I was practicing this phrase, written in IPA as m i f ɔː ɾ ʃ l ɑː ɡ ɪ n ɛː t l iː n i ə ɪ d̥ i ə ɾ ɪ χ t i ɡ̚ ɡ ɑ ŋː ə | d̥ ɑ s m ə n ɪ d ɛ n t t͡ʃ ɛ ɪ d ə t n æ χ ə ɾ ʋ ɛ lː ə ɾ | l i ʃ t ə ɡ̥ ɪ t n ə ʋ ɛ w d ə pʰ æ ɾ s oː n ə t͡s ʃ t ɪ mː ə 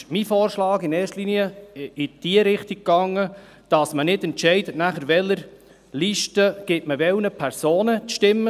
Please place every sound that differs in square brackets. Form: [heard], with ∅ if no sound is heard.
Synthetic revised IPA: m i f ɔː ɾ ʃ l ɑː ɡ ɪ n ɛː t l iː n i ə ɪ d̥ i ə ɾ ɪ χ t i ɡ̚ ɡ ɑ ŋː ə | d̥ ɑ s m ə n ɪ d ɛ n t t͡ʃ ɛ ɪ d ə t n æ χ ə ɾ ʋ ɛ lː ə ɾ | l i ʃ t ə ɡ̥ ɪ t [m] ə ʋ ɛ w [n] ə pʰ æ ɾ s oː n ə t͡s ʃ t ɪ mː ə